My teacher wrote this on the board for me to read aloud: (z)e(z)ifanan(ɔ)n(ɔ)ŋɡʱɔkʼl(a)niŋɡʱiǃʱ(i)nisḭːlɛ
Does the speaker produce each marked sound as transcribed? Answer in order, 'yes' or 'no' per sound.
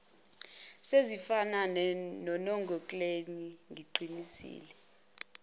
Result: no, yes, yes, yes, no, yes

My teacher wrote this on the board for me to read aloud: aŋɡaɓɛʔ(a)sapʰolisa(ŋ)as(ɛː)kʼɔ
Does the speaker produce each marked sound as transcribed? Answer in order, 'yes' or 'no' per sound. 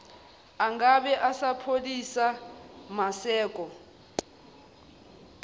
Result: yes, no, yes

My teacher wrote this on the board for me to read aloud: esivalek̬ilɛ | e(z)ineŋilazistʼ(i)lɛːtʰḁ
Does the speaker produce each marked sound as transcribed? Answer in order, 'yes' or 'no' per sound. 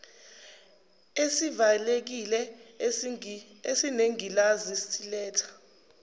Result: no, yes

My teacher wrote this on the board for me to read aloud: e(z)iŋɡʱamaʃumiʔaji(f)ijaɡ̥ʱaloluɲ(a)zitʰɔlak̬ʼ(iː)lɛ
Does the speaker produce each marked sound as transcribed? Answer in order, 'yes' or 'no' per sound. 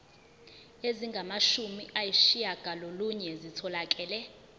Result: yes, no, no, no

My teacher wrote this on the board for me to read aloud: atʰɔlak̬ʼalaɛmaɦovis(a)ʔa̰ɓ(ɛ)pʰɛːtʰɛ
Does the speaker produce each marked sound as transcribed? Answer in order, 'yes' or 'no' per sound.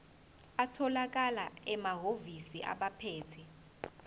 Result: no, no

